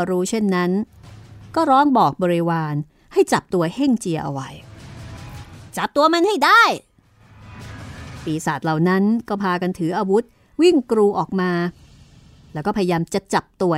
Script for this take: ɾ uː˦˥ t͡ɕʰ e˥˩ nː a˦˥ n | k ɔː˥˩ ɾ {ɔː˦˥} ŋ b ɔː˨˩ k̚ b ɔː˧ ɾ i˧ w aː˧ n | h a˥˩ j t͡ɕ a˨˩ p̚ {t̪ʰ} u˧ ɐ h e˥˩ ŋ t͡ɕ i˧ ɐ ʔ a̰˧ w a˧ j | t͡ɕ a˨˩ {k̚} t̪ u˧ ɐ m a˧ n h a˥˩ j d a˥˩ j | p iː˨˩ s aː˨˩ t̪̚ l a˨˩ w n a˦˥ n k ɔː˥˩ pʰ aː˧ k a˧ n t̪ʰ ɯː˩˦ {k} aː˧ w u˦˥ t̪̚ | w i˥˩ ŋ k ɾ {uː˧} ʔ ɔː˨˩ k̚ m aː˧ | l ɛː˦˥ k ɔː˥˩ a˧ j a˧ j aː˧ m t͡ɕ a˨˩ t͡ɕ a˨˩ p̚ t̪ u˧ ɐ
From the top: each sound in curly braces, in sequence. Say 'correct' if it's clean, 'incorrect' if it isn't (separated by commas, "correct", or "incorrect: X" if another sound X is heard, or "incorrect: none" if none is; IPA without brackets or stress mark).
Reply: correct, incorrect: t̪, incorrect: p̚, incorrect: ʔ, correct